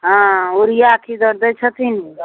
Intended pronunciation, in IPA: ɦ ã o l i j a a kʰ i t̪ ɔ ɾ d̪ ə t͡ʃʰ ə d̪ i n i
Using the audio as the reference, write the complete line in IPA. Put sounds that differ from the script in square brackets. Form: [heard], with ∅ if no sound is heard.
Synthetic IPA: ɦ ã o [ɾ] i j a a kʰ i [d̪] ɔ ɾ d̪ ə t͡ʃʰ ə [t̪] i n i